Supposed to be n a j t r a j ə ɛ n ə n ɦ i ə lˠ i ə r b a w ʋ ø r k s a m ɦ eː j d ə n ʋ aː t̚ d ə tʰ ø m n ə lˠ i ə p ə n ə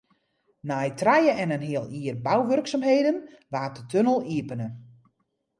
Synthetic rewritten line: n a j t r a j ə ɛ n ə n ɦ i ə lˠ i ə r b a w ʋ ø r k s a m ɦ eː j d ə n ʋ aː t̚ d ə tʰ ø n ə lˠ i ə p ə n ə